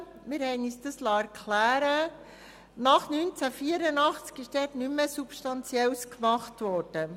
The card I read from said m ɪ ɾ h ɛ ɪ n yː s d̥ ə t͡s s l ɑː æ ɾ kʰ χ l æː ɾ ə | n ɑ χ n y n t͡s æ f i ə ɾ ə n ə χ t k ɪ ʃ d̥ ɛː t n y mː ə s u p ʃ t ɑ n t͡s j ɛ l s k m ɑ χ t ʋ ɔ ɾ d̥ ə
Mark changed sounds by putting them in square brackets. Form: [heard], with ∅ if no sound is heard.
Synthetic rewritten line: m ɪ ɾ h ɛ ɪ n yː s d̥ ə [∅] s l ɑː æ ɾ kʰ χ l æː ɾ ə | n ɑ χ n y n t͡s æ f i ə ɾ ə n [ɑ] χ [t͡s] k ɪ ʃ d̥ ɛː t n y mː ə s u p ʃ t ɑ n t͡s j ɛ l s k m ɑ χ t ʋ ɔ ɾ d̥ ə